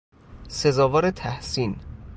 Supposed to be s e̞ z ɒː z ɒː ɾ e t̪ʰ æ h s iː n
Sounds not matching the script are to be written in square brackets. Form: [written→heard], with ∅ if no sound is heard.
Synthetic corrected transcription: s e̞ z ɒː [z→v] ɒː ɾ e t̪ʰ æ h s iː n